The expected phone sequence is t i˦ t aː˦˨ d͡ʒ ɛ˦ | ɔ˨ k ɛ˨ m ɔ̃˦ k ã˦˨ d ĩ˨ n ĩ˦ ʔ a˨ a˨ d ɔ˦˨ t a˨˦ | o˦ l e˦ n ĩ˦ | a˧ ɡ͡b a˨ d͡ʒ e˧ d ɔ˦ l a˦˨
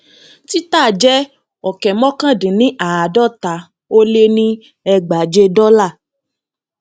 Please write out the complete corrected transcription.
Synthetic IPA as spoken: t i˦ t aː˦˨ d͡ʒ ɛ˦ | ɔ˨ k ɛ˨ m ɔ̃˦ k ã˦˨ d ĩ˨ n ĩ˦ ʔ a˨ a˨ d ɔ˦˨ t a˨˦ | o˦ l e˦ n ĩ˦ | ɛ˧ ɡ͡b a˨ d͡ʒ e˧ d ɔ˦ l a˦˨